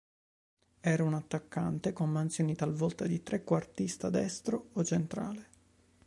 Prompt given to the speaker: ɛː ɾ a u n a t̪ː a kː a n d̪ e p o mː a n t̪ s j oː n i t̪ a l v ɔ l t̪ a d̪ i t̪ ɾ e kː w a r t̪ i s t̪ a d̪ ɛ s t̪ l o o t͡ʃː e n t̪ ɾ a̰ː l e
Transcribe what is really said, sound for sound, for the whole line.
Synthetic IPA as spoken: ɛː ɾ a u n a t̪ː a kː a n t̪ e k o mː a n t̪ s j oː n i t̪ a l v ɔ l t̪ a d̪ i t̪ ɾ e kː w a r t̪ i s t̪ a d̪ ɛ s t̪ ɾ o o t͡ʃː e n t̪ ɾ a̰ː l e